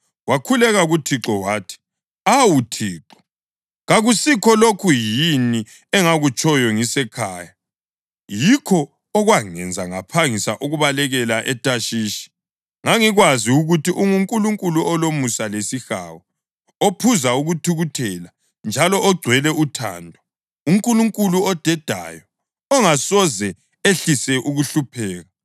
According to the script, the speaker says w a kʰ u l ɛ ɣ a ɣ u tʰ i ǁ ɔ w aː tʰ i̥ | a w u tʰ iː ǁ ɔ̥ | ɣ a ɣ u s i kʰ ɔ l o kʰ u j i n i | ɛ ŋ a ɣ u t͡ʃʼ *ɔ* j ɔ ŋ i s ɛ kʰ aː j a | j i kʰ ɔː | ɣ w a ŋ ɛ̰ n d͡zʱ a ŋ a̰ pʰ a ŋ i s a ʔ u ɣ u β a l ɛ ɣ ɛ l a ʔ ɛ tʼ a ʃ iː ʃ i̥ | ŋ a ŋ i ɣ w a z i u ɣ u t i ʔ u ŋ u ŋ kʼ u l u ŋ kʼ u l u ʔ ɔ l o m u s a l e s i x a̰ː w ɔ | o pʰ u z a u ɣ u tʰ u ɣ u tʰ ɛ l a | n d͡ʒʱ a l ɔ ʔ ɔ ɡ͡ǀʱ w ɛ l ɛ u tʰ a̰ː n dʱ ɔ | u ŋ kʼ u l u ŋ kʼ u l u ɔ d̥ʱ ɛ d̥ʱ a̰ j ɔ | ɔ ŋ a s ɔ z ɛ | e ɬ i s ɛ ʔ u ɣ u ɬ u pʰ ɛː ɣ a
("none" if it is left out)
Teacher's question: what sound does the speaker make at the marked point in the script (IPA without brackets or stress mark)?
ɔ